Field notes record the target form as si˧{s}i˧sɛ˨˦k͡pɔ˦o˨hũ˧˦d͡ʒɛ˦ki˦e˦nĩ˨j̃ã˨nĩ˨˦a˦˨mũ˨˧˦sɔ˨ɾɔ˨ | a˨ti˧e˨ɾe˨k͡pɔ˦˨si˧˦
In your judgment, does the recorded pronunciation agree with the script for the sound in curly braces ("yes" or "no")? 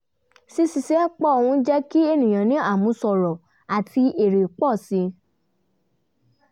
yes